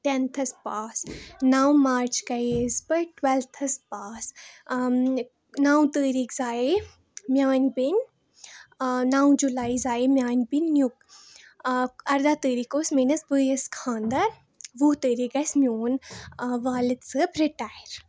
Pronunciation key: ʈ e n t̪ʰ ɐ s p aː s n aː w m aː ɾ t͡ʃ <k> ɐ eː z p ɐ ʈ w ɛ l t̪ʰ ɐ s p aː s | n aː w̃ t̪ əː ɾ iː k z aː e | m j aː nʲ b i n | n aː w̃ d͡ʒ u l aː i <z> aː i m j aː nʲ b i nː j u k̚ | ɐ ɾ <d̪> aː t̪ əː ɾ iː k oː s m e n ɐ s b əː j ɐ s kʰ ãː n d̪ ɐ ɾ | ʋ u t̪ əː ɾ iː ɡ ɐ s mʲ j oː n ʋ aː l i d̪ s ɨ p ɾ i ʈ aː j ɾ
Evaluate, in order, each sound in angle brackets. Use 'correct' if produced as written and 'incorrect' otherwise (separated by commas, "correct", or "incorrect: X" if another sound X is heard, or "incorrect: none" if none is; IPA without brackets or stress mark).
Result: correct, correct, correct